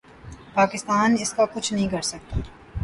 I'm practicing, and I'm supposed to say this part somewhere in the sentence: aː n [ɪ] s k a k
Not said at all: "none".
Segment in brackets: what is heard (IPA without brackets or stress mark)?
ɪ